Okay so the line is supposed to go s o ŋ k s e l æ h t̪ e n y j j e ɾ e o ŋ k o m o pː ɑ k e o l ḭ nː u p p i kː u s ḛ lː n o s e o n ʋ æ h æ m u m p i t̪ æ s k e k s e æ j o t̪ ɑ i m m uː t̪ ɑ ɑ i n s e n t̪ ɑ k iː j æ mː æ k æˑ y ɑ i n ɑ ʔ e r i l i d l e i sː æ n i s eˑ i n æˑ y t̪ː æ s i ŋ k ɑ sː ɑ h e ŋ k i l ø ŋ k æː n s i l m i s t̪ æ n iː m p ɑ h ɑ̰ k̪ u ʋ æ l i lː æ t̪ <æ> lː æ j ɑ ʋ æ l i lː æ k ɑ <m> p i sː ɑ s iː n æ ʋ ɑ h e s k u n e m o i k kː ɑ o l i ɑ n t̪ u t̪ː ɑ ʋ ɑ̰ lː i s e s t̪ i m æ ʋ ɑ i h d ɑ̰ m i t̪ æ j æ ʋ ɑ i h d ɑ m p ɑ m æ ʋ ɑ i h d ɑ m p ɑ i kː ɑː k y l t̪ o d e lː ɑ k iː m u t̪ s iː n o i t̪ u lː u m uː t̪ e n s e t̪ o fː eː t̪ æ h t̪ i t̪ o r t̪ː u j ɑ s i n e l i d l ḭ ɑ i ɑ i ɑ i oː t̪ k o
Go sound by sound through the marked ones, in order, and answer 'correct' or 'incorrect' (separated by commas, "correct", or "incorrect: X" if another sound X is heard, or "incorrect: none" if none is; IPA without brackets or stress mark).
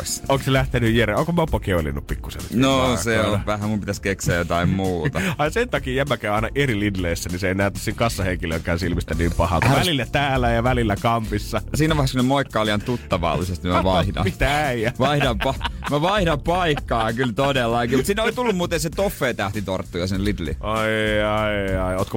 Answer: incorrect: æː, correct